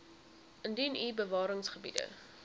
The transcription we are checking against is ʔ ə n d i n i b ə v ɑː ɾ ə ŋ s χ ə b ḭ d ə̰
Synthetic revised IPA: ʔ ə n d i n i b ə v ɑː ɾ ə ŋ s χ ə b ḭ d ə̰